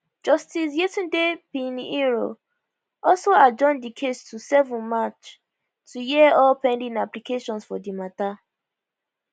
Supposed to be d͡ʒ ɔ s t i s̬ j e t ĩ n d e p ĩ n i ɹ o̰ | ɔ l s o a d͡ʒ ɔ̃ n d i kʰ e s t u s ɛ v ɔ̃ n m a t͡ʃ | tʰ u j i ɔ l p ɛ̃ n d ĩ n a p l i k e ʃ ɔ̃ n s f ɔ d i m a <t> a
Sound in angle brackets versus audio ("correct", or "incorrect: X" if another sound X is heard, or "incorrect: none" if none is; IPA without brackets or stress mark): correct